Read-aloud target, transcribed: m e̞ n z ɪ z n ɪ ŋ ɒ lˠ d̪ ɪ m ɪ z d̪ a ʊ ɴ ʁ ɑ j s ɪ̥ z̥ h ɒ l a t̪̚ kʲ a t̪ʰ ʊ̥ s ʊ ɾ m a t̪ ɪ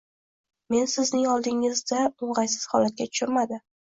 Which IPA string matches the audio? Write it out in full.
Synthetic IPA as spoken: m e̞ n s ɪ z n ɪ ŋ ɒ lˠ d̪ ɪ ŋ ɪ z d̪ a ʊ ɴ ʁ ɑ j s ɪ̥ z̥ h ɒ l a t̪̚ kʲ a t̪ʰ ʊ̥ ʃ ʊ ɾ m a d̪ ɪ